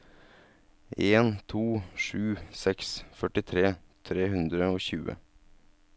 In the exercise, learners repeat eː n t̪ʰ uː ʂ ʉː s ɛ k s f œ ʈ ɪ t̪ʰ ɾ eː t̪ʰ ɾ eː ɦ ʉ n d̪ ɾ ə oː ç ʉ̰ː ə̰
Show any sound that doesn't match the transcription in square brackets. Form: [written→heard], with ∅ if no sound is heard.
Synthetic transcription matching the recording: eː n t̪ʰ uː ʂ ʉː s ɛ k s f œ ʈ ɪ t̪ʰ ɾ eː t̪ʰ ɾ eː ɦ ʉ n d̪ ɾ ə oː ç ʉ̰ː ə̰